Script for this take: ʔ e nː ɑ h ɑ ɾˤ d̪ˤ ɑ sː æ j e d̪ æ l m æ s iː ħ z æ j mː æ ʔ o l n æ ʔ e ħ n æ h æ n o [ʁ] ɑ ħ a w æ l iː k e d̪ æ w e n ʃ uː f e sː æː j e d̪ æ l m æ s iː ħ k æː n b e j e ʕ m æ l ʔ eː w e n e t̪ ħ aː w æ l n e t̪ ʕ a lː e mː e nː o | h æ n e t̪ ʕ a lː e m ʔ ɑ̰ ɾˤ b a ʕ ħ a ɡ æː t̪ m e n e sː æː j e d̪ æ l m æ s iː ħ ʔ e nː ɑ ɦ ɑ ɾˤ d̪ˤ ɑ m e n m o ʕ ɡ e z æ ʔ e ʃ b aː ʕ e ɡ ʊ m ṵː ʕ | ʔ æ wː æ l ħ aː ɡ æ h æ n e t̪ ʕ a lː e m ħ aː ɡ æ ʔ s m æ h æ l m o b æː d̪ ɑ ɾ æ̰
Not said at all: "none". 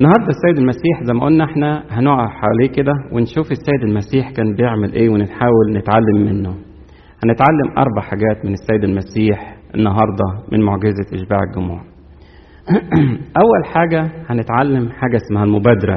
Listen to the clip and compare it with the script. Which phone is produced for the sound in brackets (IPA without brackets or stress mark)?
ʕ